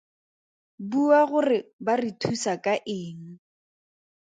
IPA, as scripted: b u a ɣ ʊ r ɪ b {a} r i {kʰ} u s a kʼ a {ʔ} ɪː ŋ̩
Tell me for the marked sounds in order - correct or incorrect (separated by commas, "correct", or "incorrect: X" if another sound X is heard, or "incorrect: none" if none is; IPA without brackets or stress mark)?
correct, incorrect: tʰ, correct